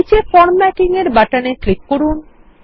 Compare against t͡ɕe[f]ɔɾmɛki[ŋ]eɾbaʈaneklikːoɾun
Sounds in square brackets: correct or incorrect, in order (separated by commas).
correct, correct